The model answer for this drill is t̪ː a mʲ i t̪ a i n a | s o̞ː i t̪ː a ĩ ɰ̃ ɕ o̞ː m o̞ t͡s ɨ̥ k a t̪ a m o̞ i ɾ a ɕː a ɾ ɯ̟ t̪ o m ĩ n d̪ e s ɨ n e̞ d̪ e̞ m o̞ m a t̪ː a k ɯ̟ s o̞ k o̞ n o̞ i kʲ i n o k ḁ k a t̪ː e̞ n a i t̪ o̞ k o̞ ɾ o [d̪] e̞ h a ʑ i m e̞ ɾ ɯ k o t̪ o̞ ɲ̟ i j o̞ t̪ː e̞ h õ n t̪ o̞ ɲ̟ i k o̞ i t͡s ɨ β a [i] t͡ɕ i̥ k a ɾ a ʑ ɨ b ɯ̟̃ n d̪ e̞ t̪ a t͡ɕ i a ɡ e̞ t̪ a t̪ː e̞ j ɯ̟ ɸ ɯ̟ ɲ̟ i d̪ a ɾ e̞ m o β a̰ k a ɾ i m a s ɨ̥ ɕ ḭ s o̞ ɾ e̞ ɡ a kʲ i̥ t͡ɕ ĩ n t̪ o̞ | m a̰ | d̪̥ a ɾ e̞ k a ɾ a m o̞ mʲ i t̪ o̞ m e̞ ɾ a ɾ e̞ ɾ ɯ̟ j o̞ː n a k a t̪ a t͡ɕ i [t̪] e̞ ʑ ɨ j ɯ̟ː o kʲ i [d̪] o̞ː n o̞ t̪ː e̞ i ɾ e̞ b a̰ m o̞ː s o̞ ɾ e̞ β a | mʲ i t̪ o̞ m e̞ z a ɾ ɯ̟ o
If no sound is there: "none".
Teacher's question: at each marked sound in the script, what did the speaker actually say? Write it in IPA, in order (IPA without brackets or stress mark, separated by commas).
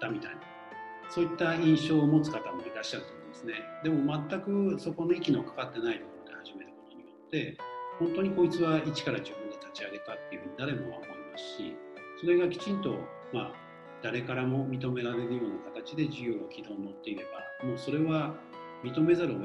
d̪, i, d̪, d̪